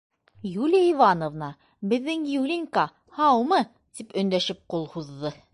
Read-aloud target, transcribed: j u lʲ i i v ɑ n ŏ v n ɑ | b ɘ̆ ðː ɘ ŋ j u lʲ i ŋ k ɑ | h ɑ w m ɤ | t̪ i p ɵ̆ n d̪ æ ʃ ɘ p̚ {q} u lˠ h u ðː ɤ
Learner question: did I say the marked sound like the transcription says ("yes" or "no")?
yes